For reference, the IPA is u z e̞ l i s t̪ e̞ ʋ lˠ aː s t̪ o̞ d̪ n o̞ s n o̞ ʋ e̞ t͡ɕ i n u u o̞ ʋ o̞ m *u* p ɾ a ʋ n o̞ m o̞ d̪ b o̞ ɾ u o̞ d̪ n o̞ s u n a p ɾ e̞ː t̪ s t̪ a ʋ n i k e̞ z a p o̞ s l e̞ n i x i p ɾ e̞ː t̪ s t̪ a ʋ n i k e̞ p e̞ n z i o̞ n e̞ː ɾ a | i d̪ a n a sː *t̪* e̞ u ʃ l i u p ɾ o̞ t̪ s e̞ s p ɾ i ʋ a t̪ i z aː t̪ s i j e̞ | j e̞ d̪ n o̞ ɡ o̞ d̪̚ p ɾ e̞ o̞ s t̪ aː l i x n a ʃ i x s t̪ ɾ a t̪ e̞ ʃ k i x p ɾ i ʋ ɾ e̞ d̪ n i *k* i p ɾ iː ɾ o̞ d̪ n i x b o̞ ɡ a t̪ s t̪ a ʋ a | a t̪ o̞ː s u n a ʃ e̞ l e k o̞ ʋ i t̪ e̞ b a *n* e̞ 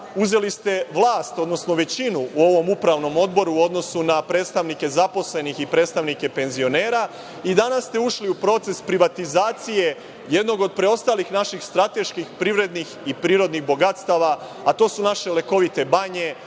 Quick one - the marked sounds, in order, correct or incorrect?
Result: correct, correct, incorrect: x, incorrect: ɲ

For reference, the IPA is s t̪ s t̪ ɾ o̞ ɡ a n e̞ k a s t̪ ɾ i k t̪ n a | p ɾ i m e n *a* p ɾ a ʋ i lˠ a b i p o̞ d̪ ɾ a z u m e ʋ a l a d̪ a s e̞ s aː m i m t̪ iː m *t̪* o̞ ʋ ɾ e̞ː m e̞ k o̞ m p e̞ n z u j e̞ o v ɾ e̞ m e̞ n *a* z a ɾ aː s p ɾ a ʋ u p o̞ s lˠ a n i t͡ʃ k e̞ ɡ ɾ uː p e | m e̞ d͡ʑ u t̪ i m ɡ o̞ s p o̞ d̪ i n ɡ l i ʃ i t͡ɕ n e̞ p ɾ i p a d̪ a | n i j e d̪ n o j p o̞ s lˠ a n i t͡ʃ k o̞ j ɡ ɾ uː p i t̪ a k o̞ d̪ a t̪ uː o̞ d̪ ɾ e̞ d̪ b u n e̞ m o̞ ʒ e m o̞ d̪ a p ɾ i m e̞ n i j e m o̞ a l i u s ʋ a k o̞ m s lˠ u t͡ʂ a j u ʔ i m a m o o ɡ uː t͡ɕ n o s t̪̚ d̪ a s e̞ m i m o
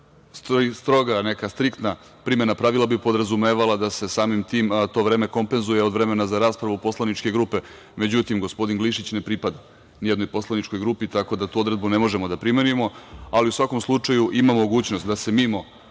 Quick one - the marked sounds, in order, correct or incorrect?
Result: correct, correct, correct

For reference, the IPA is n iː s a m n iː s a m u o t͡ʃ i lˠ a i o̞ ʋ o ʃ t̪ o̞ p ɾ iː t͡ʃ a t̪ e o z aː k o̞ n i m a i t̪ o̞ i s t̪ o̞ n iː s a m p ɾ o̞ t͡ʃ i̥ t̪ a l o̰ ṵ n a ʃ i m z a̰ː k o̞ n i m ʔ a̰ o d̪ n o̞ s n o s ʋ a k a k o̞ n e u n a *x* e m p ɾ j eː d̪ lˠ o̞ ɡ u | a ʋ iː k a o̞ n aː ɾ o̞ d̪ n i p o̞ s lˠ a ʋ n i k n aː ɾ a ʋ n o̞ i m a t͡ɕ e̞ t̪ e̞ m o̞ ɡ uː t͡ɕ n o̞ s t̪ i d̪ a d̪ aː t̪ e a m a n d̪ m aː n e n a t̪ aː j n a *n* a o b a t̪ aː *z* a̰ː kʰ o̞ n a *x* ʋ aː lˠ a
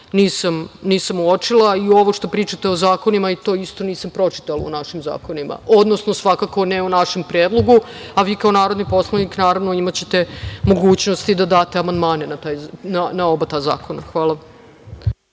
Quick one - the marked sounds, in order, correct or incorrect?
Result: incorrect: ʃ, correct, correct, correct

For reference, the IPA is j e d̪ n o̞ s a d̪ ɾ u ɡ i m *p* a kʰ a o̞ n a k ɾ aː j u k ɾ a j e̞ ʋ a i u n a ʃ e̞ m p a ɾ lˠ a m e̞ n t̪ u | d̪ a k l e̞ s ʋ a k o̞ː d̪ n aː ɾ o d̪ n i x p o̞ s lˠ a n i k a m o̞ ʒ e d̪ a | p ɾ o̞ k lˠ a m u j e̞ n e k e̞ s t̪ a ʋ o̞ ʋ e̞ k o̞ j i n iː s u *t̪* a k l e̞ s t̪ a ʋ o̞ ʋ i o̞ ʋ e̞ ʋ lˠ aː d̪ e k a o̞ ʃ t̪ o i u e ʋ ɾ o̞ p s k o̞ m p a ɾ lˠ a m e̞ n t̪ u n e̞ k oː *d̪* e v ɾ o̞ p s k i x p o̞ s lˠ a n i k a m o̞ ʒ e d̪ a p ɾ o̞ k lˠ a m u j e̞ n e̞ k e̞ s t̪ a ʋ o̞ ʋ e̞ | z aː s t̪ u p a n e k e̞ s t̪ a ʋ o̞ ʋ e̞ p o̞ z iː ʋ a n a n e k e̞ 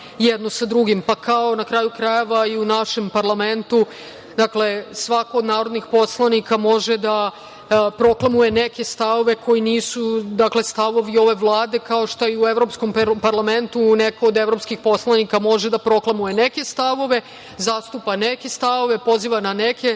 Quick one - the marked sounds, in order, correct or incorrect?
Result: correct, incorrect: d̪, correct

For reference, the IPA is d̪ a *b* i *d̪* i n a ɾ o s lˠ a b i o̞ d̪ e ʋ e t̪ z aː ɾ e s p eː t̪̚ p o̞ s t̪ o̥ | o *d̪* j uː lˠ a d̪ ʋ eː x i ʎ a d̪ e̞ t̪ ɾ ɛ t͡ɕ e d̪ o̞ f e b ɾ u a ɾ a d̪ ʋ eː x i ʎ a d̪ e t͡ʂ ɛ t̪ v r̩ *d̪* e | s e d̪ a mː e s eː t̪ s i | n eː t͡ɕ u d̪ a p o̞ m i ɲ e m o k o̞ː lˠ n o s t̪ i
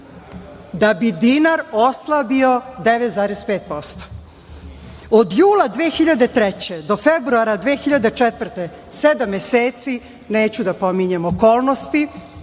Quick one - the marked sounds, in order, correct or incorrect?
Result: correct, correct, correct, incorrect: t̪

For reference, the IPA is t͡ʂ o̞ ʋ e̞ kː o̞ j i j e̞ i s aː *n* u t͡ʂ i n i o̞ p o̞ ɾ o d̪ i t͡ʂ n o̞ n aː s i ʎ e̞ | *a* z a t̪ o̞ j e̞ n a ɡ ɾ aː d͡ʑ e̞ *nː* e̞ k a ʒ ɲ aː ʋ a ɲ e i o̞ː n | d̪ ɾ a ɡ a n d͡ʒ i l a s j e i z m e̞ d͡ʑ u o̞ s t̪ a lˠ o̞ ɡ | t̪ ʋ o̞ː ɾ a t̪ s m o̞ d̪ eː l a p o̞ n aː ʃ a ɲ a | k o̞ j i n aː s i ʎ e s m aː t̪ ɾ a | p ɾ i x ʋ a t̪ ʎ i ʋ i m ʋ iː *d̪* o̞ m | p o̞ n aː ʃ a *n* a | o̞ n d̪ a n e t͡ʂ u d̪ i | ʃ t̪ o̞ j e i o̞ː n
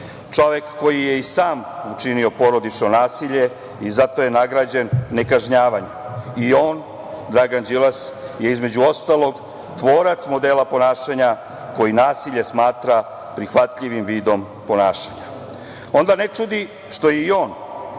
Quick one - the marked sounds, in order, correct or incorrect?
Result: incorrect: m, incorrect: i, correct, correct, incorrect: ɲ

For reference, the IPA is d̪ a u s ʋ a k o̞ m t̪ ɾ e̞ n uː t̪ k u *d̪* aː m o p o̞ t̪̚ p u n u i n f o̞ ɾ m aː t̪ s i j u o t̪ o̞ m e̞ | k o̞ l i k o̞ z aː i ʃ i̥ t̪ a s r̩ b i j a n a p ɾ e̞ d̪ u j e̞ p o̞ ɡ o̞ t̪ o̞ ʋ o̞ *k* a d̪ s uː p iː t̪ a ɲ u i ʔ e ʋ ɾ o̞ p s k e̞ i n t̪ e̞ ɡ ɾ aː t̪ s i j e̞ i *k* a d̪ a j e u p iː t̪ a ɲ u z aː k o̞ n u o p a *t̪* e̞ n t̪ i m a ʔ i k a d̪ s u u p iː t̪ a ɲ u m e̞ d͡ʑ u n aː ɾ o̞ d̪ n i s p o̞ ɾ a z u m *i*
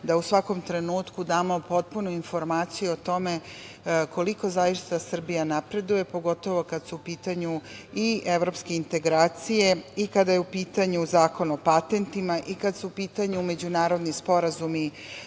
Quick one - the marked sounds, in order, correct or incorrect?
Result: correct, correct, correct, correct, correct

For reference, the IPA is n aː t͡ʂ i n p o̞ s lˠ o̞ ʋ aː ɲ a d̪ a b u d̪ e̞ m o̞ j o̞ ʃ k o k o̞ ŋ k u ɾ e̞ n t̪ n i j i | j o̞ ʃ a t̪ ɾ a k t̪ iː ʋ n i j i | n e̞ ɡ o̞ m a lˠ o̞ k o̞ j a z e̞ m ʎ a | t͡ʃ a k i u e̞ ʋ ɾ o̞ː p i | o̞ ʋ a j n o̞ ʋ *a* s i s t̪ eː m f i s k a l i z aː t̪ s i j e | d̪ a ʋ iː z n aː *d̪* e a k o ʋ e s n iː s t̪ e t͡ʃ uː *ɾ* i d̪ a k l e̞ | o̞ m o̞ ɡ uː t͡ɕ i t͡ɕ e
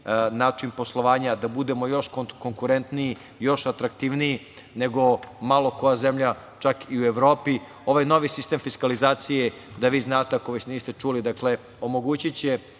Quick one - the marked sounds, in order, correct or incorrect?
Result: incorrect: i, incorrect: t̪, incorrect: l

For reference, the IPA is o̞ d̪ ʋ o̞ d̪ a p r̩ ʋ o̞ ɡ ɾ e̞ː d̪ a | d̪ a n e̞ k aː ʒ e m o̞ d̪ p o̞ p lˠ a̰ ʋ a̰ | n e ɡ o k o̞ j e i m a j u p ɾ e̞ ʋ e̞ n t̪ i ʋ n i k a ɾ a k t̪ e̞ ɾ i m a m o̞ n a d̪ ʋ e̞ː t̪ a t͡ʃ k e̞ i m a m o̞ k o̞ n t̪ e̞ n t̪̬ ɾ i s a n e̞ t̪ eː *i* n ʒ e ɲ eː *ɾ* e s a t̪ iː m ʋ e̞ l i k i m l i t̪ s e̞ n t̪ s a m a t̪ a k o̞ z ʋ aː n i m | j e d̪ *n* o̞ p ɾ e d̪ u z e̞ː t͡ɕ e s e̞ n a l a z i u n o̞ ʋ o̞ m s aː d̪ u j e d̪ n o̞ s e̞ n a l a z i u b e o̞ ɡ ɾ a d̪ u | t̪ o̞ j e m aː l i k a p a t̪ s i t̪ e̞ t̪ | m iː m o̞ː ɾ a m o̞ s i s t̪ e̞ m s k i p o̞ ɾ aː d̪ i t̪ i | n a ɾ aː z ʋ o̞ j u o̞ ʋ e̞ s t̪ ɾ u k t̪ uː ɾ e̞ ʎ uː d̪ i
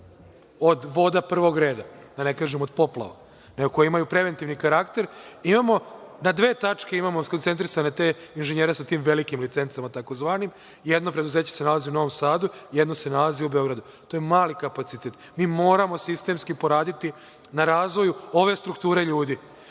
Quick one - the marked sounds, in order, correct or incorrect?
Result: correct, correct, correct

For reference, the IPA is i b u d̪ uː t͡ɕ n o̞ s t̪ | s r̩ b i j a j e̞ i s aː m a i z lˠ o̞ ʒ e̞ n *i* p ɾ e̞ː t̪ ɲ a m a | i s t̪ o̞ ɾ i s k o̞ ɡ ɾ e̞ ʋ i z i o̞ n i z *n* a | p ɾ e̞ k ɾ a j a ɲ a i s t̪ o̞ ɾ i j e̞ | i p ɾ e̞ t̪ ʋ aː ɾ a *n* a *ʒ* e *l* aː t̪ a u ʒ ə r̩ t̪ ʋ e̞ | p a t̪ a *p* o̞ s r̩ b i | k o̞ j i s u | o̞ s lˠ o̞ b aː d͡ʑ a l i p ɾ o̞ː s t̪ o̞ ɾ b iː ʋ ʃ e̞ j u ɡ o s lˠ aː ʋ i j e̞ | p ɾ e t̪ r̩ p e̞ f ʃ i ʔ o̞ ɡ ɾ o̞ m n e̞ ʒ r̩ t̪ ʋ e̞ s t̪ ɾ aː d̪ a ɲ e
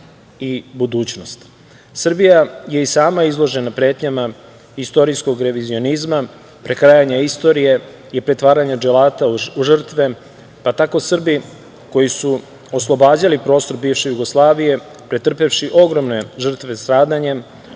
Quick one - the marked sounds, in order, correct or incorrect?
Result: incorrect: a, incorrect: m, incorrect: ɲ, incorrect: d͡ʒ, correct, incorrect: k

